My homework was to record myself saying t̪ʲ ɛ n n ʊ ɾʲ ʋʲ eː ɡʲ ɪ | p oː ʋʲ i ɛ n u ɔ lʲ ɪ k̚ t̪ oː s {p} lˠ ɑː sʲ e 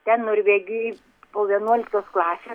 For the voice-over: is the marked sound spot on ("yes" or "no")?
no